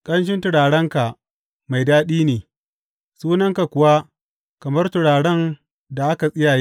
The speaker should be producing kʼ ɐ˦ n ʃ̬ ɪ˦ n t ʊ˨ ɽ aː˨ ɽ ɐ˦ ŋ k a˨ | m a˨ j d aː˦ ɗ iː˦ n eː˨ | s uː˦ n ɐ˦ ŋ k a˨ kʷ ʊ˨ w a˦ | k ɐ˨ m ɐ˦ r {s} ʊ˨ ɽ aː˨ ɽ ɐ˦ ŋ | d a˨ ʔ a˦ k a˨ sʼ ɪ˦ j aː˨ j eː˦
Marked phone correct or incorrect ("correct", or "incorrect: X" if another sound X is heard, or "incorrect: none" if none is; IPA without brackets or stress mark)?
incorrect: t